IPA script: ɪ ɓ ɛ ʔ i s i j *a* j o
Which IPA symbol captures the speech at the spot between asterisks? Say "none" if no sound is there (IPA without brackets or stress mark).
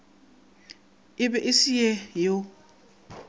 ɛ